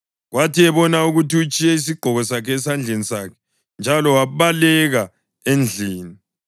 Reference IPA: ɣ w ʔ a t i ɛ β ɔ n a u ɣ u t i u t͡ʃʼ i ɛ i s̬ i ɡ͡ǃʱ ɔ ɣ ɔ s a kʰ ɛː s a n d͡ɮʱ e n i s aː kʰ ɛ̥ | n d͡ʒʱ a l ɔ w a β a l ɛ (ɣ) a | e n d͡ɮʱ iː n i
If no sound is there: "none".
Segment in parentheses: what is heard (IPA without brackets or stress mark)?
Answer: ɣ